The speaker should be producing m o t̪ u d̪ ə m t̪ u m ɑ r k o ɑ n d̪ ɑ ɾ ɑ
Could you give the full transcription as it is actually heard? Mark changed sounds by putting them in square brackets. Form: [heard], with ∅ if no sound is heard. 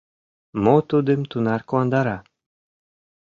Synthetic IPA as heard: m o t̪ u d̪ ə m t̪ u [n] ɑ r k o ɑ n d̪ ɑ ɾ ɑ